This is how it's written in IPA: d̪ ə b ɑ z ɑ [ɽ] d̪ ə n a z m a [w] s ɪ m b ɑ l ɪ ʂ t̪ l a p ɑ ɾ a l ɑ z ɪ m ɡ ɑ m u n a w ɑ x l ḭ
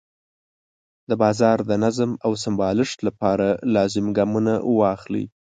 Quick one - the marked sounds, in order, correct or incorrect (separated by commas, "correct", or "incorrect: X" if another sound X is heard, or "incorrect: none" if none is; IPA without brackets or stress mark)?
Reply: incorrect: ɾ, correct